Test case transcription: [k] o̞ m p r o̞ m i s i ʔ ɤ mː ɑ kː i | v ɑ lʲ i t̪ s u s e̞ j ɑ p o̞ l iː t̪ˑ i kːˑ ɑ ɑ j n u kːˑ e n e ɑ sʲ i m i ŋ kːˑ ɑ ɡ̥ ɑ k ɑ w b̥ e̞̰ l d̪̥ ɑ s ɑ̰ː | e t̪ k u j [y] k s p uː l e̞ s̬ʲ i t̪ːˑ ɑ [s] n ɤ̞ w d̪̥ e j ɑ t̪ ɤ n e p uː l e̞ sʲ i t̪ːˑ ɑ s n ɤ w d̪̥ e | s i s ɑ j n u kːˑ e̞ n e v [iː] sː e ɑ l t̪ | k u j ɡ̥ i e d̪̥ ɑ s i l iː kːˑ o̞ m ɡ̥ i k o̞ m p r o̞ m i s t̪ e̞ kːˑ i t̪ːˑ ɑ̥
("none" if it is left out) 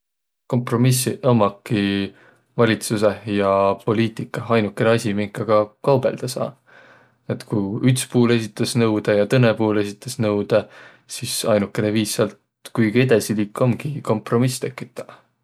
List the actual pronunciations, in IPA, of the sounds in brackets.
k, y, s, iː

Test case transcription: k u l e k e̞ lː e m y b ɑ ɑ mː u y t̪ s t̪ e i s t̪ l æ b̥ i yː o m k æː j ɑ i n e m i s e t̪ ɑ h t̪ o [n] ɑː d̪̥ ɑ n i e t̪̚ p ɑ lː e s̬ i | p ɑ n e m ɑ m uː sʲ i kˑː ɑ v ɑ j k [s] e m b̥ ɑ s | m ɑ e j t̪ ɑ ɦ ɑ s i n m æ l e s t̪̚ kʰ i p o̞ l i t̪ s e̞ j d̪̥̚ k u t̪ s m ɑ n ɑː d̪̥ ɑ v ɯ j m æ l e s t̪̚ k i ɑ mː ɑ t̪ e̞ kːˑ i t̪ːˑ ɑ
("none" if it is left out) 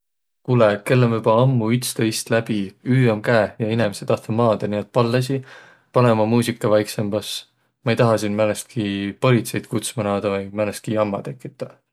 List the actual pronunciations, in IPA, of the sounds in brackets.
m, s

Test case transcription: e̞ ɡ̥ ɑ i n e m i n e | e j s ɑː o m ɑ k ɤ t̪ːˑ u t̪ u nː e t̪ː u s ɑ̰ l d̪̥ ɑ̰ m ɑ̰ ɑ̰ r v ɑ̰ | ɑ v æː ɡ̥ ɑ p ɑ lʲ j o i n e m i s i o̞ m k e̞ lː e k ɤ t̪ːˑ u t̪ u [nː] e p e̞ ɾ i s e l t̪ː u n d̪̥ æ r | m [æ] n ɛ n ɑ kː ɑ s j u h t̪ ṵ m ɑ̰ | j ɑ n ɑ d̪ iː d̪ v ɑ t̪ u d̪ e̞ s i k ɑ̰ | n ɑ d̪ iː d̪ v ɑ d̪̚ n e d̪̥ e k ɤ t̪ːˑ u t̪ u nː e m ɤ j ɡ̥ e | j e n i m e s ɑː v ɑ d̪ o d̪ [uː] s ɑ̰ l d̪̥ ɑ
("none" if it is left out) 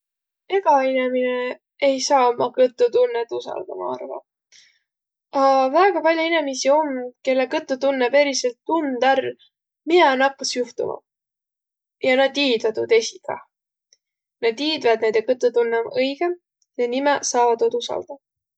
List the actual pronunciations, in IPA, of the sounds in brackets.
nː, i, u

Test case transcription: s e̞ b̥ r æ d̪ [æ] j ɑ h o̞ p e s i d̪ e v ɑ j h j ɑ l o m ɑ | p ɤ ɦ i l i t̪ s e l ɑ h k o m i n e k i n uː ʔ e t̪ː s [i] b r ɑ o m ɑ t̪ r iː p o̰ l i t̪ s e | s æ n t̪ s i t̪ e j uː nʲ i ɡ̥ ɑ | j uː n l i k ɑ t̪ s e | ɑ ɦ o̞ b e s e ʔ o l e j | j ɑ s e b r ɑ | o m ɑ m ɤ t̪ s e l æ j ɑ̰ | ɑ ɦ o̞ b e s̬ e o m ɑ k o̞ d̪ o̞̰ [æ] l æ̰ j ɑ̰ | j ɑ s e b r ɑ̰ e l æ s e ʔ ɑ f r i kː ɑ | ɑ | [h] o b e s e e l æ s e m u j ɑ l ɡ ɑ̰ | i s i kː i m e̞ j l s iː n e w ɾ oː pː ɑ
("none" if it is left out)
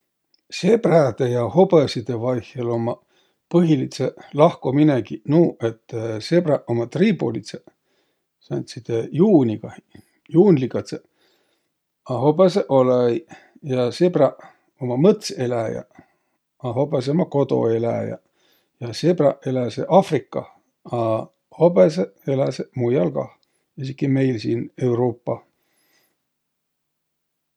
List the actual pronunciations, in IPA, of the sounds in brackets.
e, e, e, h

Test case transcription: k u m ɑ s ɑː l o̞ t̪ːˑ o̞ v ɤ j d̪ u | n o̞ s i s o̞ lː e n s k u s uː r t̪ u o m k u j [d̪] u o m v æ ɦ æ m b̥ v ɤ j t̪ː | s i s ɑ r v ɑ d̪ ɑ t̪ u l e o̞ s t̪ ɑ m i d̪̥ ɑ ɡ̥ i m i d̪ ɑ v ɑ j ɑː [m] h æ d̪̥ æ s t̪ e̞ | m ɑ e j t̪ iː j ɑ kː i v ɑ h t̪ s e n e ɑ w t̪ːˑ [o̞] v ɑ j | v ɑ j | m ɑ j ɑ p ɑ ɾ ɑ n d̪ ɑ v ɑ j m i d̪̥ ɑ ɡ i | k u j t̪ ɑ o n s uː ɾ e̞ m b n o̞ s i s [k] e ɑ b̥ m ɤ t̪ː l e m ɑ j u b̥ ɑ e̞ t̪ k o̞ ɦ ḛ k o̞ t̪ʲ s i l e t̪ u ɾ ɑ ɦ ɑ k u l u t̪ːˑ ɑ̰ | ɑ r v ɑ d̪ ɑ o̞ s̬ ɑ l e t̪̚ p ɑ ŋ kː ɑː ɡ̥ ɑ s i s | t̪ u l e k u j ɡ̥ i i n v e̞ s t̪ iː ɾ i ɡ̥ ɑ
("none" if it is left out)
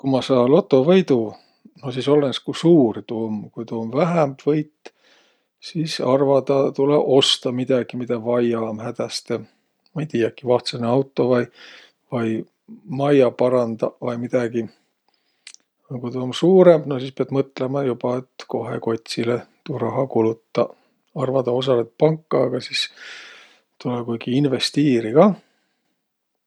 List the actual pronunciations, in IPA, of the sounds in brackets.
t̪, m, o̞, p

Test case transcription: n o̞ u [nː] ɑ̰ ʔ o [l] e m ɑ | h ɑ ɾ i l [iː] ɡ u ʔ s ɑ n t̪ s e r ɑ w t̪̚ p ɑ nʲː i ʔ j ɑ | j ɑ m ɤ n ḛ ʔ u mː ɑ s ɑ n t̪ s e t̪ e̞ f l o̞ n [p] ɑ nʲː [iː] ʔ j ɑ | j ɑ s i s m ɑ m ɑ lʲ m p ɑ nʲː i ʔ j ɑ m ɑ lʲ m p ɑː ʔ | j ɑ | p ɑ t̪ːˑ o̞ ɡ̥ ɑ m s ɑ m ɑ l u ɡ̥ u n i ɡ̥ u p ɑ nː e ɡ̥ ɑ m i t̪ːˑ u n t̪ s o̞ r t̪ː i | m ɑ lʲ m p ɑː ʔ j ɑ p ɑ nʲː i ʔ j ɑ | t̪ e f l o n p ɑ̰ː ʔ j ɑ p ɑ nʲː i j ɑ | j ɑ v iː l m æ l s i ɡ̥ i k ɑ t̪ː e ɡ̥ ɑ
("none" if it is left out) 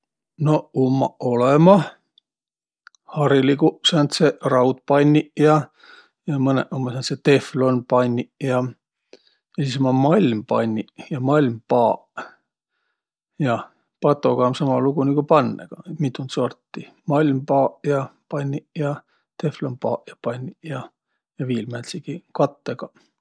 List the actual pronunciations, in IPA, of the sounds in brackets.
mː, l, i, p, i

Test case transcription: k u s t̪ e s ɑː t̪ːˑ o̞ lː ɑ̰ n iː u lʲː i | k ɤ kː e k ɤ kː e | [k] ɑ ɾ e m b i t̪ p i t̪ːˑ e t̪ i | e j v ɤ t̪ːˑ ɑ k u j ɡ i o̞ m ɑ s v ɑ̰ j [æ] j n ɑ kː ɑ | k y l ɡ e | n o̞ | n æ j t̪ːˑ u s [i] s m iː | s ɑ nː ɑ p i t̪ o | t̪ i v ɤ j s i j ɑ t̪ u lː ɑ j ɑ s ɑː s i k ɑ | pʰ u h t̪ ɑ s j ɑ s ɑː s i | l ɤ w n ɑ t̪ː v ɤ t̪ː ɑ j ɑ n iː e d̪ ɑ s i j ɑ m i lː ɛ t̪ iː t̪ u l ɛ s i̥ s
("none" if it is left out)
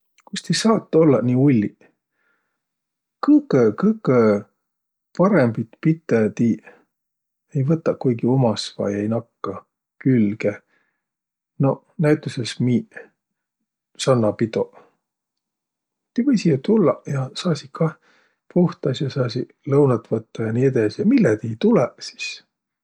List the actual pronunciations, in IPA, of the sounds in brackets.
p, e, e

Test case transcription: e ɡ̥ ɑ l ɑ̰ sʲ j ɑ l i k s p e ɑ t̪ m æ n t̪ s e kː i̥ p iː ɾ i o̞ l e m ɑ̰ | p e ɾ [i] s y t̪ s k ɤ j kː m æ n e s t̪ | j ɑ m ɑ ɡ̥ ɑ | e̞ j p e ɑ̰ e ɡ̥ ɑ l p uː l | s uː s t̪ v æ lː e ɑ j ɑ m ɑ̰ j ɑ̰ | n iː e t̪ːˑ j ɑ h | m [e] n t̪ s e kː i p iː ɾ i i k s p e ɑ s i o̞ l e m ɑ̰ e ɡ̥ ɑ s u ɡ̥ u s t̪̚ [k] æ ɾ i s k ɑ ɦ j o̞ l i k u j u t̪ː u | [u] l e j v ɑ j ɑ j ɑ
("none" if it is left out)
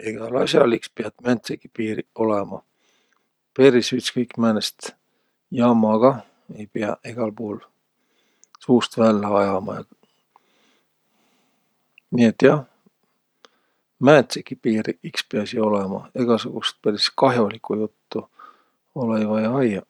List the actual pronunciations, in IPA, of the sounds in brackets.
i, æ, p, o

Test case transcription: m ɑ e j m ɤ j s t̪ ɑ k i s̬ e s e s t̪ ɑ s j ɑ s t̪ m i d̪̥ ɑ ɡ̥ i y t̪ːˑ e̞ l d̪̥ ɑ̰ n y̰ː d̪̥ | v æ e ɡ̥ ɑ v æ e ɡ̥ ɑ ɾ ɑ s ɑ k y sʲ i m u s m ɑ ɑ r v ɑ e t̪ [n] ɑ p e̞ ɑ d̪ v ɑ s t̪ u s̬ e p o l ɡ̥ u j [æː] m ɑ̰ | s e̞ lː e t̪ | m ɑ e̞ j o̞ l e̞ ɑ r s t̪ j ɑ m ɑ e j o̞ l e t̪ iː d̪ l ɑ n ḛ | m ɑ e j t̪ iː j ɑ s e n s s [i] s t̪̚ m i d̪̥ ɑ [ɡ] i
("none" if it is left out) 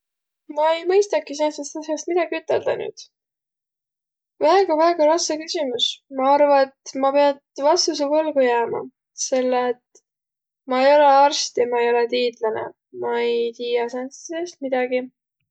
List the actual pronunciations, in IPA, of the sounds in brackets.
m, æː, e, ɡ

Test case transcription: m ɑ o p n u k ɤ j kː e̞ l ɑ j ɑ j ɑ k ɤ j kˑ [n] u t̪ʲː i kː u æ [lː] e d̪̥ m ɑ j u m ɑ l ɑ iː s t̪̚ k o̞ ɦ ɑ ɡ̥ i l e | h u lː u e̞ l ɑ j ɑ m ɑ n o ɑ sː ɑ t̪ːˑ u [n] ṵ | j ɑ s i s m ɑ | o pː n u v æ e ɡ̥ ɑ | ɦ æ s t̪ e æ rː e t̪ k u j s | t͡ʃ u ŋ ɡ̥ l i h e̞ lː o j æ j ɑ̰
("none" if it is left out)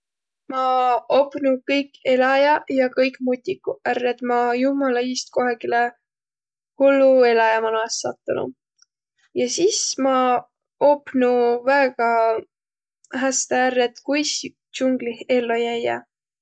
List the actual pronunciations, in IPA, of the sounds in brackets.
m, rː, n

